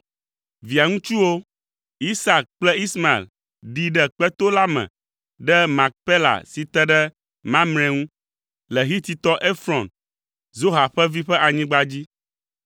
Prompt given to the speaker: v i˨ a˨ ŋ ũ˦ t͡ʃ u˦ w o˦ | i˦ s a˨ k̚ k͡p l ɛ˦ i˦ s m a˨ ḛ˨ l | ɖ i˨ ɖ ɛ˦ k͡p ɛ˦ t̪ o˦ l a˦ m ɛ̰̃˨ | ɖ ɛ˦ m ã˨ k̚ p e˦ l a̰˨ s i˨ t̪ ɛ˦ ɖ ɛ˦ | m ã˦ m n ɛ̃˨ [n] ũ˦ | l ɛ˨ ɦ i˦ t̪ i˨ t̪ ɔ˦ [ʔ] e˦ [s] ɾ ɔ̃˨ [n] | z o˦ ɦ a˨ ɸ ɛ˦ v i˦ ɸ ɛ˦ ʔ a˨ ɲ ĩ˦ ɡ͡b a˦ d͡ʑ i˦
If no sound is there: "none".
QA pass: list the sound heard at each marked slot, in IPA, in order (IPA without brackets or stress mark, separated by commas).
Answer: ŋ, ʔ, f, n